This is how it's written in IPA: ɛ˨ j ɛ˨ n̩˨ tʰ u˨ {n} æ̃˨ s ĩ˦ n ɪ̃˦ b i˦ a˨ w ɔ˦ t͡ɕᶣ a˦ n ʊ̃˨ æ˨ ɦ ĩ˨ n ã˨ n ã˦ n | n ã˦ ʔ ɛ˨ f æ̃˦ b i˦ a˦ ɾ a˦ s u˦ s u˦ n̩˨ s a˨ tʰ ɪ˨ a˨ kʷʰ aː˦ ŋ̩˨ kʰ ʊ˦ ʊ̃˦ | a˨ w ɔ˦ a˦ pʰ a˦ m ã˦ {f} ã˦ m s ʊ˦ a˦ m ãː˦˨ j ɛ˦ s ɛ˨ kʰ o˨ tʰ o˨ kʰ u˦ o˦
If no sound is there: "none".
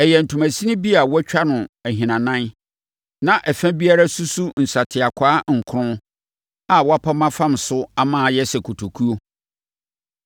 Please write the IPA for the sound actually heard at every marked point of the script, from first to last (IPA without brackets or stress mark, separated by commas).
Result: m, f